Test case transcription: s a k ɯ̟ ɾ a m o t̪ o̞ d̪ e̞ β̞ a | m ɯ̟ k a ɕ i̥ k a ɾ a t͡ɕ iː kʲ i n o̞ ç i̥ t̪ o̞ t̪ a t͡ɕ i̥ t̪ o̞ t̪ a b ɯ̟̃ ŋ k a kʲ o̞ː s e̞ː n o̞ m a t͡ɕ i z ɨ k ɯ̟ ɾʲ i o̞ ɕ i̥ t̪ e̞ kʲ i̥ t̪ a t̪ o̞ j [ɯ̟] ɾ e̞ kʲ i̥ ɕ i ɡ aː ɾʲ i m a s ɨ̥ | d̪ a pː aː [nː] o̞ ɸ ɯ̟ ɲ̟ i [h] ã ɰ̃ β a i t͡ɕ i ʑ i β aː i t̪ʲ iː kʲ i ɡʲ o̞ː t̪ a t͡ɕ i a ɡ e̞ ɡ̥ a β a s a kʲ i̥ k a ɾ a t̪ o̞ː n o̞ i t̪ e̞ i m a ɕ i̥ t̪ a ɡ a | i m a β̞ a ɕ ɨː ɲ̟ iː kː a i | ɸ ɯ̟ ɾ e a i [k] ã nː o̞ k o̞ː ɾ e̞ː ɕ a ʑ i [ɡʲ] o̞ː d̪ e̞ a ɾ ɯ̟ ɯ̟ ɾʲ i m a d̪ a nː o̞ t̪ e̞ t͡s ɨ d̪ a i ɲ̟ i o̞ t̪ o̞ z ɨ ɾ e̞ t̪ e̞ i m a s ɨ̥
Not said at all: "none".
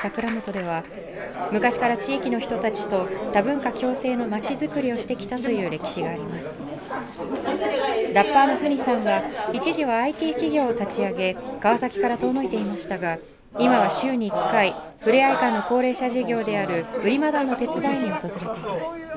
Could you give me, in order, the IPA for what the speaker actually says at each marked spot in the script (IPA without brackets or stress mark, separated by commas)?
ɯ̟ː, n, s, k, ɡʲ